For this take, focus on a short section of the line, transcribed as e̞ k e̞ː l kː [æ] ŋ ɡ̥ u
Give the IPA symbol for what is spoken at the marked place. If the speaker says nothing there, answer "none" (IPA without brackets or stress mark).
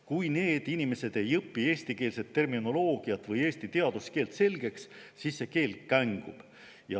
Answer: æ